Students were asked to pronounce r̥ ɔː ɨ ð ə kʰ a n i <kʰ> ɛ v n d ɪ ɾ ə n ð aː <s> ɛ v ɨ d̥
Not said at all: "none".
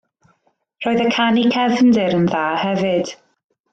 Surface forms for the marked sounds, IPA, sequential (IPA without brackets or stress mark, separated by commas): kʰ, h